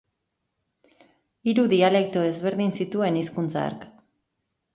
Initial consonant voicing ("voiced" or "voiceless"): voiced